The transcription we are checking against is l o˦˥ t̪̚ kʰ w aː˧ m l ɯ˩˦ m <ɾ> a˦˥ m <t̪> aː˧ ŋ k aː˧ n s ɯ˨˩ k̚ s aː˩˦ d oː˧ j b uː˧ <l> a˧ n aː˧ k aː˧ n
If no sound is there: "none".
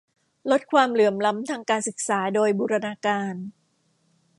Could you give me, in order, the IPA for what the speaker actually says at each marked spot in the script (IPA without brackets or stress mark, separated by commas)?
l, t̪ʰ, ɾ